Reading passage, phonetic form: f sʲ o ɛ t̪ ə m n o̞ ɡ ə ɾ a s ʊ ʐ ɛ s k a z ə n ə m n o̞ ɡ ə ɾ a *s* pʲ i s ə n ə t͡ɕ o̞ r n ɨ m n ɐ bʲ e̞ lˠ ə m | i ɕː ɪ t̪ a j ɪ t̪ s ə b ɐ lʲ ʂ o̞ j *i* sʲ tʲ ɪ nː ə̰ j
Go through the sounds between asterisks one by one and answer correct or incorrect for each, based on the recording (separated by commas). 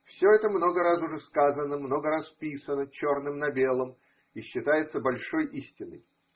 correct, correct